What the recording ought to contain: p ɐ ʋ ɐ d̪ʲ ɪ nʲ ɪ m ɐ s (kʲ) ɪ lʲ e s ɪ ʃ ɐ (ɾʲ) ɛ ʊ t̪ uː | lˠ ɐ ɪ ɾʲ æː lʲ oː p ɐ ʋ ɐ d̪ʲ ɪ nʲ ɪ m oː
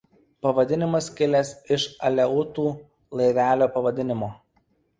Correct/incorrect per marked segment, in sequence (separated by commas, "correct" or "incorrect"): correct, incorrect